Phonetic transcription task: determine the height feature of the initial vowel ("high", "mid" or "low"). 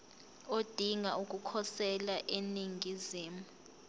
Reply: mid